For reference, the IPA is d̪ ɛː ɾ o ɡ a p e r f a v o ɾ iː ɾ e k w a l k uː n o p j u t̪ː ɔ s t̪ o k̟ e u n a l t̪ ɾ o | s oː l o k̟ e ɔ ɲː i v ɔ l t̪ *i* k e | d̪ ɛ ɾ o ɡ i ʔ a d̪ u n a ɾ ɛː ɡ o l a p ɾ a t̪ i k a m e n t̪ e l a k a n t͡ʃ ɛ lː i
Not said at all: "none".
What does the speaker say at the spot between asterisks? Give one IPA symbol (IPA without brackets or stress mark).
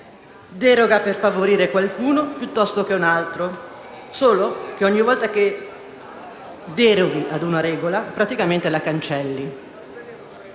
a